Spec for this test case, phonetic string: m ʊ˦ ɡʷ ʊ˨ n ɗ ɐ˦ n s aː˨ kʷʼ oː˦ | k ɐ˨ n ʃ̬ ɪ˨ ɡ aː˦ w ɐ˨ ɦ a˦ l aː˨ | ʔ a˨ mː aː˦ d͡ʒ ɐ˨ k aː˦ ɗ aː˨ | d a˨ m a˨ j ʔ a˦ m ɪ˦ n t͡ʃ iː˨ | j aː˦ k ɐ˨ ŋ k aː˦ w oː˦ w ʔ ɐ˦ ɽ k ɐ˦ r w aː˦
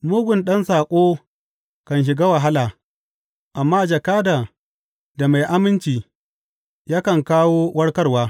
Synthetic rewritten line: m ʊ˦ ɡʷ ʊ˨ n ɗ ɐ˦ n s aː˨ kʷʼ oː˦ | k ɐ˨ n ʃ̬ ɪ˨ ɡ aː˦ w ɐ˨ ɦ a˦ l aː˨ | ʔ a˨ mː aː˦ d͡ʒ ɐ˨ k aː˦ d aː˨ | d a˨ m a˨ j ʔ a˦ m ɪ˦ n t͡ʃ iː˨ | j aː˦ k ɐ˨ ŋ k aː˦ w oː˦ w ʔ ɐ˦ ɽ k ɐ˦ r w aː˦